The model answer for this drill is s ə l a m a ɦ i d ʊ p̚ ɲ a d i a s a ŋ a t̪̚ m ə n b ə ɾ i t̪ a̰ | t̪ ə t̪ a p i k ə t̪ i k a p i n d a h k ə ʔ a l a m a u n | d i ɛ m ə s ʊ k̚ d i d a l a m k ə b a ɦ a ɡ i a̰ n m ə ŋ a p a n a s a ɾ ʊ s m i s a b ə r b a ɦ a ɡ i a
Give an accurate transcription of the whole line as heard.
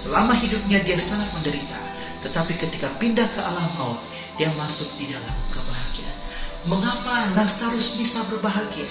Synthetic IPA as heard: s ə l a m a ɦ i d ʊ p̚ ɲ a d i a s a ŋ a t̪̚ m ə n d ə ɾ i t̪ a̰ | t̪ ə t̪ a p i k ə t̪ i k a p i n d a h k ə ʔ a l a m a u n | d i a m a s ʊ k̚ d i d a l a m k ə b a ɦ a ɡ i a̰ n m ə ŋ a p a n a s a ɾ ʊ s m i s a b ə r b a ɦ a ɡ i a